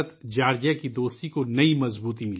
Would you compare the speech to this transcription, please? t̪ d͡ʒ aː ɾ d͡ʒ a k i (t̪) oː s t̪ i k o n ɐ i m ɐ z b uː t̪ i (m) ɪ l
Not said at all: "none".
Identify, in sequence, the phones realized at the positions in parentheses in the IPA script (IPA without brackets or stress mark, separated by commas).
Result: d̪, m